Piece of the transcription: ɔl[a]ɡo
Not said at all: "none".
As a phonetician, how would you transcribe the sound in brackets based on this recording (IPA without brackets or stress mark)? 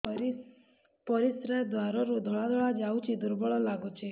a